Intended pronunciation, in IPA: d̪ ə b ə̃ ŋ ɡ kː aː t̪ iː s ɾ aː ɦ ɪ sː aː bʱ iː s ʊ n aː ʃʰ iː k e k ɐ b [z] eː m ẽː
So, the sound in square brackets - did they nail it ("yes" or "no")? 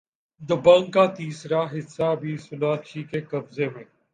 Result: yes